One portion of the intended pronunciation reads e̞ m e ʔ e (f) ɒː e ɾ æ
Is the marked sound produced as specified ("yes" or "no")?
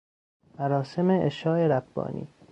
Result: no